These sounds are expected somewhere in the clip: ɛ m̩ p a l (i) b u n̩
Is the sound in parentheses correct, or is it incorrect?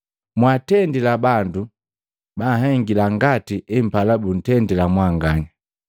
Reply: incorrect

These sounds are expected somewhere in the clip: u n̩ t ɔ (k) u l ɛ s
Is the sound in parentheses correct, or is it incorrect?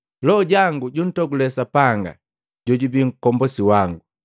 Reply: incorrect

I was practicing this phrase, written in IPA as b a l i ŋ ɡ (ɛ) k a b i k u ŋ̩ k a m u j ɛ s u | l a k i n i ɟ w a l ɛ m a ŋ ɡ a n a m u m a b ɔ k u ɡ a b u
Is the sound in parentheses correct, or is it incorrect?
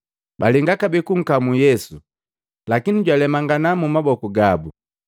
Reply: incorrect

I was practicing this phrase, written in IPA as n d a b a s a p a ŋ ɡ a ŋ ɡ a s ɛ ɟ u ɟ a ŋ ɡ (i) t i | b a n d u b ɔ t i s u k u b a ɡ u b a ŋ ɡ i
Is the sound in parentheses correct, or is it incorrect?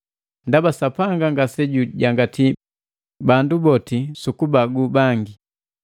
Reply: incorrect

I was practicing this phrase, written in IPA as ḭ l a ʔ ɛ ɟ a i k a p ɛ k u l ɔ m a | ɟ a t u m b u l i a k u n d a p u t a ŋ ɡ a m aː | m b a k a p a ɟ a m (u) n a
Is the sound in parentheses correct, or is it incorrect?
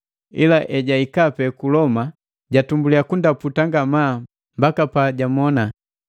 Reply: incorrect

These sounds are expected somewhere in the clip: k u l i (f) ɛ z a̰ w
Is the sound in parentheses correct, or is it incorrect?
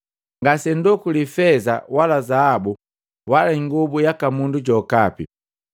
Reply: correct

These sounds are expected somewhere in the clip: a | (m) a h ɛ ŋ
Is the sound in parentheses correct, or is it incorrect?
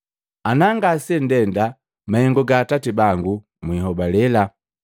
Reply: correct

